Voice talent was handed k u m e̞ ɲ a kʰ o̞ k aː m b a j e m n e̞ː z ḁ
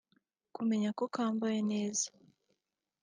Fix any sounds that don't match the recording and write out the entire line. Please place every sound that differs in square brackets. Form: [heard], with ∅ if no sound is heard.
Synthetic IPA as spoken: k u m e̞ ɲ a [k] o̞ k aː m b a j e [∅] n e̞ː z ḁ

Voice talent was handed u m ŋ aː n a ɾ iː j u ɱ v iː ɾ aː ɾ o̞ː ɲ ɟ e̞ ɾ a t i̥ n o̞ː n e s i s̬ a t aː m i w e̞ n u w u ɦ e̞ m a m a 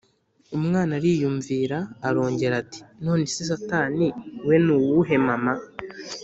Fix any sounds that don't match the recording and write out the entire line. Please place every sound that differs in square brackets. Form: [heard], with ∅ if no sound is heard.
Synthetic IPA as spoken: u m ŋ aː n a ɾ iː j u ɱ v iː ɾ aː ɾ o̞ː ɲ ɟ e̞ ɾ a t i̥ n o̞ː n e s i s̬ a t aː [n] i w e̞ n u w u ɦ e̞ m a m a

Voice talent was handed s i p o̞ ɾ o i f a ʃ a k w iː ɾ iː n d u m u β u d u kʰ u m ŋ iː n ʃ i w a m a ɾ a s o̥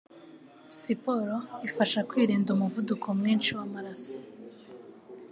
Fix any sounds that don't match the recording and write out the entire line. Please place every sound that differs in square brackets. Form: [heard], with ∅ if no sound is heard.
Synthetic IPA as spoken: s i p o̞ ɾ o i f a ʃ a k w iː ɾ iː n d u m u [v] u d u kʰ [o] m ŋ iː n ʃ i w a m a ɾ a s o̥

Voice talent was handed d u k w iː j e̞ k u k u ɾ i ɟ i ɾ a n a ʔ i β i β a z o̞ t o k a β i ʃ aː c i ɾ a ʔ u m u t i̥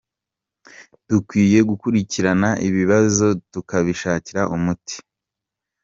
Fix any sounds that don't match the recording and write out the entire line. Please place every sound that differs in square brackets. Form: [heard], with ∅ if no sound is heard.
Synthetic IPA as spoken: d u k w iː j e̞ [ɡ] u k u ɾ i [c] i ɾ a n a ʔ i β i β a z o̞ t [u] k a β i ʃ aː c i ɾ a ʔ u m u t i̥

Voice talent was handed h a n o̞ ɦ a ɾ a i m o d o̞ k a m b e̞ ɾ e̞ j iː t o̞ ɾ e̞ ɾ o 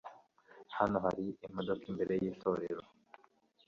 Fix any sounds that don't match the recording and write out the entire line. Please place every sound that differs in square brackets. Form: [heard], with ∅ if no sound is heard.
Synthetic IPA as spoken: h a n o̞ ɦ a ɾ [i] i m o d o̞ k [i] m b e̞ ɾ e̞ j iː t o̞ ɾ e̞ ɾ o

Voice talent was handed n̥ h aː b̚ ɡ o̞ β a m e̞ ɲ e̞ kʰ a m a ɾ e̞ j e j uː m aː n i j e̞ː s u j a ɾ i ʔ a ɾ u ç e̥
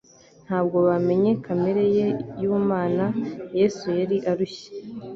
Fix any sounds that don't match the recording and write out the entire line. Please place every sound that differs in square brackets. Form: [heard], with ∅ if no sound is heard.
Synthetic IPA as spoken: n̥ h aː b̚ ɡ o̞ β a m e̞ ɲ e̞ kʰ a m [e] ɾ e̞ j e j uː m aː n [a] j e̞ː s u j a ɾ i ʔ a ɾ u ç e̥

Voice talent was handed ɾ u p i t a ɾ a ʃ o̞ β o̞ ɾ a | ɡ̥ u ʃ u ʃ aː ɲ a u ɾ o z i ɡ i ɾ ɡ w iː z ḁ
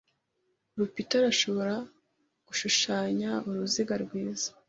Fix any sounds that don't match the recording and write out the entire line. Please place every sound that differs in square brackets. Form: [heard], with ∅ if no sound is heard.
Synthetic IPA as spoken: ɾ u p i t a ɾ a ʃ o̞ β o̞ ɾ a | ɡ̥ u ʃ u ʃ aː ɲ a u ɾ [u] z i ɡ [a] ɾ ɡ w iː z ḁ

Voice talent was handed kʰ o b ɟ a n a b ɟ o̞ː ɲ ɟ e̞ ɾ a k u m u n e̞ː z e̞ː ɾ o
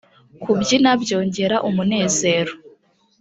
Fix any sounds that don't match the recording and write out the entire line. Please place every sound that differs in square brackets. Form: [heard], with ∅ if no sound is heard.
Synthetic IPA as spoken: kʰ [u] b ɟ [i] n a b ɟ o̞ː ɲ ɟ e̞ ɾ a [ʔ] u m u n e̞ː z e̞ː ɾ o

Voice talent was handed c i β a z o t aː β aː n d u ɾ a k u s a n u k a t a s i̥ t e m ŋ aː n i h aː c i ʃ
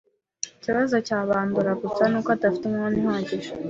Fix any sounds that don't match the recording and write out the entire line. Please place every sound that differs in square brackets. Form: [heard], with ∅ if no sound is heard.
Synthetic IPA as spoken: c i β a z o [c] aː β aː n d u ɾ a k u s a n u k a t a [f] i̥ t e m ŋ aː n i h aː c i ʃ

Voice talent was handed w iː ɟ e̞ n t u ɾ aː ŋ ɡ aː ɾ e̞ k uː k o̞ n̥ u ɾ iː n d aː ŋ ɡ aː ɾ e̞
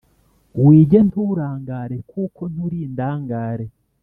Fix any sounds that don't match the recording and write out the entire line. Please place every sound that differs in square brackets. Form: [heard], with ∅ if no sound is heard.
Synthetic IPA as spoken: w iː ɟ e̞ n t u ɾ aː ŋ ɡ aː ɾ e̞ k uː k o̞ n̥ u ɾ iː n d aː ŋ ɡ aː ɾ e̞

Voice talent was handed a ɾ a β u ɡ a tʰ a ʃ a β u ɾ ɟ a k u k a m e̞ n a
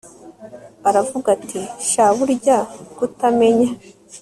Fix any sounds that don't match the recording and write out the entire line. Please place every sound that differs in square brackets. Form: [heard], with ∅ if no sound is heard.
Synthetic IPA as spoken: a ɾ a [v] u ɡ a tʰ [i] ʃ a β u ɾ ɟ a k u [t] a m e̞ [ɲ] a

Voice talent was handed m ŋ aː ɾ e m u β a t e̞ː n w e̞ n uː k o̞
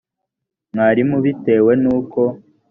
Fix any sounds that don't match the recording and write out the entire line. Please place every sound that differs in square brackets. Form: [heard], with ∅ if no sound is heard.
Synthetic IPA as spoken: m ŋ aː ɾ [i] m u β [i] t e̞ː [∅] w e̞ n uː k o̞

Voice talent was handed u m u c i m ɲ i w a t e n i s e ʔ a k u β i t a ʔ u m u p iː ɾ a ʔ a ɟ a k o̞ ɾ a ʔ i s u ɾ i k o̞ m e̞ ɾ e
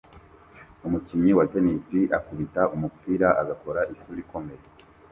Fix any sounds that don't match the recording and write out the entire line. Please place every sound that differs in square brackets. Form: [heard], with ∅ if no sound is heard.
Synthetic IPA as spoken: u m u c i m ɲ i w a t e n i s [i] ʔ a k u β i t a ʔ u m u p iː ɾ a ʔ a [ɡ] a k o̞ ɾ a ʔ i s u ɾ i k o̞ m e̞ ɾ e

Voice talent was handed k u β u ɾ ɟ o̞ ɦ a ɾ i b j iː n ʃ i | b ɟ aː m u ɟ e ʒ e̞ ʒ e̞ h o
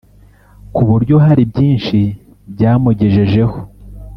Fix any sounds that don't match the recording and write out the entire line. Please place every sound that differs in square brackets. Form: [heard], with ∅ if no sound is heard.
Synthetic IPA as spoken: k u β u ɾ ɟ o̞ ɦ a ɾ i b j iː n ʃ i | b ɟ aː m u ɟ e ʒ e̞ ʒ e̞ h o

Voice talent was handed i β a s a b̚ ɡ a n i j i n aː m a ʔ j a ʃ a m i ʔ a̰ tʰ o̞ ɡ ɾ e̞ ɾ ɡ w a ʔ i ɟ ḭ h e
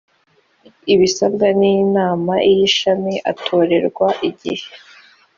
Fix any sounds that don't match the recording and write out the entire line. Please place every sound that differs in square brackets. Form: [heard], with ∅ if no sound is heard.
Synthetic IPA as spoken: i β [i] s a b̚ ɡ a n i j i n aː m a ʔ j [i] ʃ a m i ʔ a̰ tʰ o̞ [∅] ɾ e̞ ɾ ɡ w a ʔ i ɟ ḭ h e

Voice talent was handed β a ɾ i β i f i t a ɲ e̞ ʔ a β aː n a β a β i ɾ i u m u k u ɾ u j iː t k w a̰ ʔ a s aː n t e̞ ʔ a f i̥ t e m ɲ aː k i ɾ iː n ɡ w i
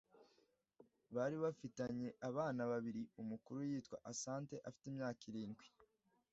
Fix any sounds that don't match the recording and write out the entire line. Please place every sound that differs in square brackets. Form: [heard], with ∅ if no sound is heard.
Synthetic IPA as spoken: β a ɾ i β [a] f i t a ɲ e̞ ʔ a β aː n a β a β i ɾ i u m u k u ɾ u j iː t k w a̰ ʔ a s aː n t e̞ ʔ a f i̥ t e m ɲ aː k i ɾ iː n ɡ w i

